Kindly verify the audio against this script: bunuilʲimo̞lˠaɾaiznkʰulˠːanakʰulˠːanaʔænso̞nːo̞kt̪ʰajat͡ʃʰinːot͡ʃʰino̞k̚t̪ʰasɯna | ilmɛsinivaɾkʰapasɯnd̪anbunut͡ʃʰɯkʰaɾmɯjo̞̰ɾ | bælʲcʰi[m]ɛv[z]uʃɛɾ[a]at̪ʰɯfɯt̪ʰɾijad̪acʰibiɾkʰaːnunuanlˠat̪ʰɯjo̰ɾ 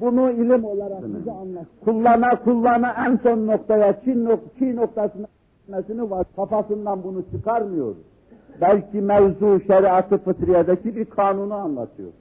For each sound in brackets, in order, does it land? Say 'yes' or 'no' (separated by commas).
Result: yes, yes, no